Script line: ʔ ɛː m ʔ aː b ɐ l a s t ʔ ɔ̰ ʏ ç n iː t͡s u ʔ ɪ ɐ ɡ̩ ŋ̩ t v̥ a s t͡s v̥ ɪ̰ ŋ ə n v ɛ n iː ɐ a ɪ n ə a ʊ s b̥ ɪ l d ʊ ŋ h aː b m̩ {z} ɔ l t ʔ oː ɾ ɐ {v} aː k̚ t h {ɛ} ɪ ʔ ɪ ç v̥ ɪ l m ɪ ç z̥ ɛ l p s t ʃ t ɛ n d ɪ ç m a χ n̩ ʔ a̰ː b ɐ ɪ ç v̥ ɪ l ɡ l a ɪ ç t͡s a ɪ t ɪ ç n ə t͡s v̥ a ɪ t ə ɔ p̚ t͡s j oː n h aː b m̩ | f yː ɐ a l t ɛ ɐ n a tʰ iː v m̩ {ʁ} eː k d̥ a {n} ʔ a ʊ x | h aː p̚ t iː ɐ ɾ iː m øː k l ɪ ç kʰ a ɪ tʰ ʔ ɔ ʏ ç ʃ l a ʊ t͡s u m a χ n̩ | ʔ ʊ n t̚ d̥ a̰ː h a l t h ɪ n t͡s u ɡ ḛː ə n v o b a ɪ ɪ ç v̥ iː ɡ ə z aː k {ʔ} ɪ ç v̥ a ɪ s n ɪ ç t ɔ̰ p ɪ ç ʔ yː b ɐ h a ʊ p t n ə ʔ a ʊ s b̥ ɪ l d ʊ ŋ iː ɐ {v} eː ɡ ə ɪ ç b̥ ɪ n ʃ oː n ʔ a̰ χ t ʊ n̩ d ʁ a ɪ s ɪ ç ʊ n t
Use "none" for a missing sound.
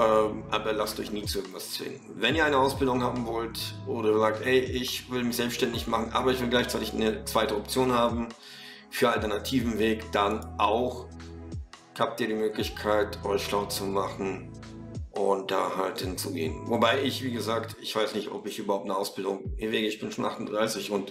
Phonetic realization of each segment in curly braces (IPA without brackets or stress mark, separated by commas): v, z, ɛ, v, n, t, v